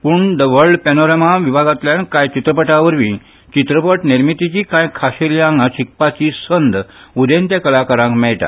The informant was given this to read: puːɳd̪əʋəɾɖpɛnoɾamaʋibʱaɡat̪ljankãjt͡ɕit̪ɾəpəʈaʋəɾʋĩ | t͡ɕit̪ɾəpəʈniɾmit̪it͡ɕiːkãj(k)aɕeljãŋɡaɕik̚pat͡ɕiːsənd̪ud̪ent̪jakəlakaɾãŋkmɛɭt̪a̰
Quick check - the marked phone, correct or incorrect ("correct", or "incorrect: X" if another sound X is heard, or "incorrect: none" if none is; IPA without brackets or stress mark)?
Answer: incorrect: kʰ